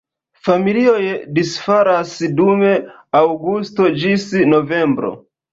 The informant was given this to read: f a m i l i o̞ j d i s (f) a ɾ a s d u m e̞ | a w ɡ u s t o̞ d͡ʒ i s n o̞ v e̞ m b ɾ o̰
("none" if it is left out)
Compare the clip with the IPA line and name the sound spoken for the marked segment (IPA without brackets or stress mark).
f